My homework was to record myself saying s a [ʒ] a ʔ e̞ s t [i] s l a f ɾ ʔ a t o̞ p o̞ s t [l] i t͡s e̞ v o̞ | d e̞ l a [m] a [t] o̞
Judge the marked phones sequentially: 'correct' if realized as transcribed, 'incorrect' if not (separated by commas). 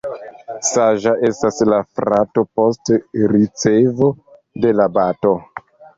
correct, incorrect, incorrect, incorrect, correct